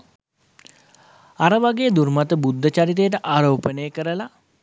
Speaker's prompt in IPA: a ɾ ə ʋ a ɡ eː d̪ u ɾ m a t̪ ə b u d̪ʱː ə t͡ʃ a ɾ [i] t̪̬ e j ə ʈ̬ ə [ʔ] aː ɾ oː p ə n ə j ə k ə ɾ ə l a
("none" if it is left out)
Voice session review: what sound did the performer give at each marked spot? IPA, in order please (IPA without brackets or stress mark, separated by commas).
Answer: i, ʔ